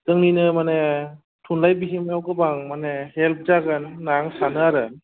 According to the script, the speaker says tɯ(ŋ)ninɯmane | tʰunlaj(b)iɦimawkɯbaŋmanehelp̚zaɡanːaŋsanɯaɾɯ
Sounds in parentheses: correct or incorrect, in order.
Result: correct, correct

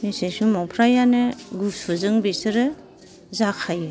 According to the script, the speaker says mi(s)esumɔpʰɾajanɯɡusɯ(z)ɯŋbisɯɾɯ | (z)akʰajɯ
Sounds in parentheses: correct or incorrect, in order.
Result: correct, correct, correct

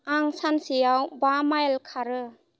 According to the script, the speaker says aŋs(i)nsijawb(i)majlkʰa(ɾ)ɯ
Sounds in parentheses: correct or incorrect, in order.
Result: incorrect: a, incorrect: a, correct

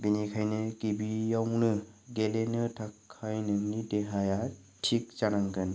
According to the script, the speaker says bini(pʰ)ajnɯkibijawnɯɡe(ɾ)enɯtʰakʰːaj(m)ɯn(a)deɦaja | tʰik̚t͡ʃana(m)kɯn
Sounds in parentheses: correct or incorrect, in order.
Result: incorrect: kʰ, incorrect: l, incorrect: n, incorrect: i, incorrect: ŋ

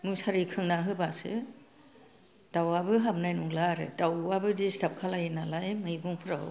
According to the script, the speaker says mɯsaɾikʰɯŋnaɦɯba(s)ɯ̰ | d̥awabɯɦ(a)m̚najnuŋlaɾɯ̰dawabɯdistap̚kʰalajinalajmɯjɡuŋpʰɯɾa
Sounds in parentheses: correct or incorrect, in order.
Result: correct, correct

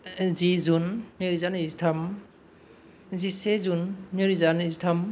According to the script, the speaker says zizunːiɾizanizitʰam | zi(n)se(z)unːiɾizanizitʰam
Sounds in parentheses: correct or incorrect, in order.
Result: incorrect: none, correct

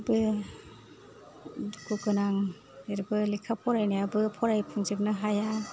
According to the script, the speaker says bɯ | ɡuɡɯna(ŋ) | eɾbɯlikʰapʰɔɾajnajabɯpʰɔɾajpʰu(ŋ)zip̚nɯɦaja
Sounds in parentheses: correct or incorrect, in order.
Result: correct, correct

